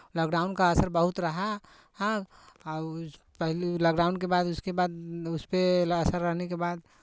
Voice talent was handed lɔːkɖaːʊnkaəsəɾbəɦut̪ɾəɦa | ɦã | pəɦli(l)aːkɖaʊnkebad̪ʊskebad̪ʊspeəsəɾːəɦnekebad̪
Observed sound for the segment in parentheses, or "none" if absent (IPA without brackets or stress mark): l